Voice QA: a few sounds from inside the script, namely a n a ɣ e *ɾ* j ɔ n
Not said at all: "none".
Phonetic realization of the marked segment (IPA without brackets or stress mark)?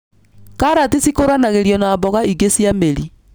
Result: ɾ